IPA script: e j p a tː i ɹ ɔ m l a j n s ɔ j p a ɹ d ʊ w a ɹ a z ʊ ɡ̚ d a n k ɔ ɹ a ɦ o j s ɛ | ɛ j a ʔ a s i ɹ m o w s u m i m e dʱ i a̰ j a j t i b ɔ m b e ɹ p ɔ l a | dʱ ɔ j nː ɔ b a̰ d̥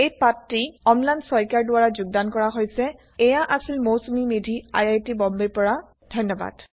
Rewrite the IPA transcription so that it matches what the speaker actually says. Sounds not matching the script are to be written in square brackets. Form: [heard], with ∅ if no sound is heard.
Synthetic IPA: e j p a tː i [∅] ɔ m l a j n s ɔ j [k] a ɹ d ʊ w a ɹ a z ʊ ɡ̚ d a n k ɔ ɹ a ɦ o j s ɛ | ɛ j a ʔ a s i [l] m o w s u m i m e dʱ i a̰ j a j t i b ɔ m b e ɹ p ɔ [ɹ] a | dʱ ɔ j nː ɔ b a̰ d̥

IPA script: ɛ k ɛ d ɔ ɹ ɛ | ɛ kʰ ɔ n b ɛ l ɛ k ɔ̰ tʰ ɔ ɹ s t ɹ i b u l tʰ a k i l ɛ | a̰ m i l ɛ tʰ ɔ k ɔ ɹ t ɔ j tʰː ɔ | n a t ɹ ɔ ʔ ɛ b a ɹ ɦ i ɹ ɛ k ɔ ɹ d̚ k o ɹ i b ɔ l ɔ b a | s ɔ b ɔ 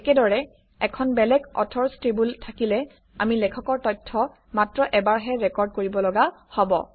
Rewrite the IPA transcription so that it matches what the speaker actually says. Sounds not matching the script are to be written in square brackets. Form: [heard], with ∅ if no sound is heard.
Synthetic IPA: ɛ k ɛ d ɔ ɹ ɛ | ɛ kʰ ɔ n b ɛ l ɛ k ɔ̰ tʰ ɔ ɹ s t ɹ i b u l tʰ a k i l ɛ | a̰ m i l ɛ [kʰ] ɔ k ɔ ɹ t ɔ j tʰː ɔ | [m] a t ɹ ɔ ʔ ɛ b a ɹ ɦ [ɛ] ɹ ɛ k ɔ ɹ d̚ k o ɹ i b ɔ l ɔ [ɡ] a | [h] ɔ b ɔ

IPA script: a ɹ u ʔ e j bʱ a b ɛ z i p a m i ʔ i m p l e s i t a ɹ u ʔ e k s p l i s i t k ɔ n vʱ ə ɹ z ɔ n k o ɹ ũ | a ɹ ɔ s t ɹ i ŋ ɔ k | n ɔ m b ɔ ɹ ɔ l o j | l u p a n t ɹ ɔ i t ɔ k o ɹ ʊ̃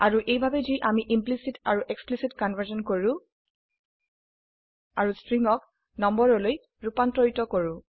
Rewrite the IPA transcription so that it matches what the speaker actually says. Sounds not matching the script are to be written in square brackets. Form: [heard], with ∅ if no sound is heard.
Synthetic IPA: a ɹ u ʔ e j bʱ a b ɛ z i [ʔ] a m i ʔ i m p l [i] s i t a ɹ u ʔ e k s p l i s i t k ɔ n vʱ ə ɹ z ɔ n k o ɹ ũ | a ɹ [u] s t ɹ i ŋ ɔ k | n ɔ m b ɔ ɹ ɔ l o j | [ɹ] u p a n t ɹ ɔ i t ɔ k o ɹ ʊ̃

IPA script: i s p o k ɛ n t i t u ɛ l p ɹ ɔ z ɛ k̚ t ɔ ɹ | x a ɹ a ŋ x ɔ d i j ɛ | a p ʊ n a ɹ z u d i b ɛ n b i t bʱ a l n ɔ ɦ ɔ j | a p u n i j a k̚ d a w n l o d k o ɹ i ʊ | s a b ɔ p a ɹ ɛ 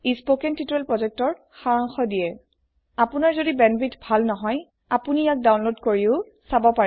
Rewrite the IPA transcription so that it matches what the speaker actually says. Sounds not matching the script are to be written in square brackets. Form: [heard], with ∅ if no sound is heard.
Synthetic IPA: i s p o k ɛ n t i t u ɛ l p ɹ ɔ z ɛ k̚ t ɔ ɹ | x a ɹ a ŋ x ɔ d i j ɛ | a p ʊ n a ɹ z [o] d i b ɛ n b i t bʱ a l n ɔ ɦ ɔ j | a p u n i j a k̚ d a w n l o d k o ɹ i ʊ | s a b ɔ p a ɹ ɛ

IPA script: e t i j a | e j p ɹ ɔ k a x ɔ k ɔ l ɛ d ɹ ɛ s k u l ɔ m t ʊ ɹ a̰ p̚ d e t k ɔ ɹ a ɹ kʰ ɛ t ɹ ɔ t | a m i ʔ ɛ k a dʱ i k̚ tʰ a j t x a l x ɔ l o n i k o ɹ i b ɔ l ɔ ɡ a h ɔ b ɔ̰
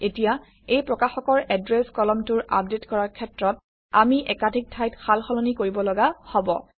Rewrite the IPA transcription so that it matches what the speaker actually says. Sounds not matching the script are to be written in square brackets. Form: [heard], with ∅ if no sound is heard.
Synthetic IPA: e t i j a | e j p ɹ ɔ k a x ɔ k ɔ [ɹ] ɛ d ɹ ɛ s k [ɔ] l ɔ m t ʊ ɹ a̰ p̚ d e t k ɔ ɹ a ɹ kʰ ɛ t ɹ ɔ t | a m i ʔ ɛ k a dʱ i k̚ tʰ a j t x a l x ɔ l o n i k o ɹ i b ɔ l ɔ ɡ a h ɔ b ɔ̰

